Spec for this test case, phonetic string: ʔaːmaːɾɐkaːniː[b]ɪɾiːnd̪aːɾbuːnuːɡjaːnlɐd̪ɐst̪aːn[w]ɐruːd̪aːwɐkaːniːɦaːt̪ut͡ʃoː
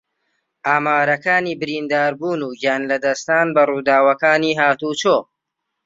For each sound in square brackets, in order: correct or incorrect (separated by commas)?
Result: correct, incorrect